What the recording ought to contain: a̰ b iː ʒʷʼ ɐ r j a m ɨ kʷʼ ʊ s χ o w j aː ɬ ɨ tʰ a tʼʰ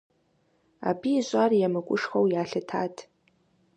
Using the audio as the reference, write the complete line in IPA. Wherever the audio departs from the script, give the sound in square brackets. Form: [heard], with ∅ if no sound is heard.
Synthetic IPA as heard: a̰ b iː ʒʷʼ [a] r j a m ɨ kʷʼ ʊ [ʂ] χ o w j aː ɬ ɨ tʰ a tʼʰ